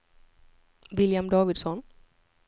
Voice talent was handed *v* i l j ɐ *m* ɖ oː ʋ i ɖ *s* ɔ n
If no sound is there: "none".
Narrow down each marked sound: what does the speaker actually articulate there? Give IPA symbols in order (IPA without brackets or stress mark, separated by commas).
ʋ, m, s